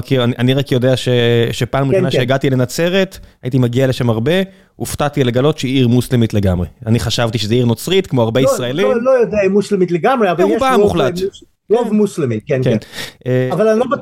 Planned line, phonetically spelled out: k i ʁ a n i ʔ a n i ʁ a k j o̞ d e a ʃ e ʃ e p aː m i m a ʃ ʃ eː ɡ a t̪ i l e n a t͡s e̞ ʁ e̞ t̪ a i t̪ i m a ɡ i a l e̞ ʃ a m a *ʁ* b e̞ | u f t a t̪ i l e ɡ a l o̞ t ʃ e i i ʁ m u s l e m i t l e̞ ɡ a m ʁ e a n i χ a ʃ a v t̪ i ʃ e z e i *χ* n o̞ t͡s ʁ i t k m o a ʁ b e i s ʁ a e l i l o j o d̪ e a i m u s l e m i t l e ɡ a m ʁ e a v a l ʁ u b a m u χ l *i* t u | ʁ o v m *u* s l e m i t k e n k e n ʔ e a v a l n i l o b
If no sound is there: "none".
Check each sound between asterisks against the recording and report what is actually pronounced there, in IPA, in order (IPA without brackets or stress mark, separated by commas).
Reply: ʁ, ʁ, a, u